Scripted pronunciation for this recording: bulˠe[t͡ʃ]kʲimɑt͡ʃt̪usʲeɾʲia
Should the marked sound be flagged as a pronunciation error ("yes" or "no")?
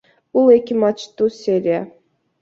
yes